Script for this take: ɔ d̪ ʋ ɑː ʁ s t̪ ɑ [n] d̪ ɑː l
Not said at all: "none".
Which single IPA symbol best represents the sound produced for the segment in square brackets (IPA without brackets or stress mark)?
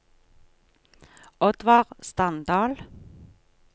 n